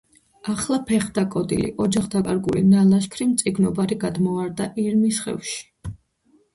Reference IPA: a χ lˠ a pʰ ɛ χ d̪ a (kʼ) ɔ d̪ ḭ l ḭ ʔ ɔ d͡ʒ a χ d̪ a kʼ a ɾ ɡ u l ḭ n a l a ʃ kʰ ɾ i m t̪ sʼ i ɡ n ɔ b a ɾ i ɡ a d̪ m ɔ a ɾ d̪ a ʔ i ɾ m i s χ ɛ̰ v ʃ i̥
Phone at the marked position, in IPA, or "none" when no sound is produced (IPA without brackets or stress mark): kʼ